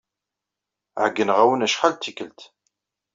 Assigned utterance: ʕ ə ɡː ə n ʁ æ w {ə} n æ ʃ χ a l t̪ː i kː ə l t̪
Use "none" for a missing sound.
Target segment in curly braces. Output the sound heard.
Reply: ə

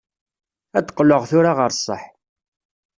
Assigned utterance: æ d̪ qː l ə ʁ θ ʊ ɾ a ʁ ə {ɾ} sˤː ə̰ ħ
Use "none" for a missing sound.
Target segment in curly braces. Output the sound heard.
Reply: ɾ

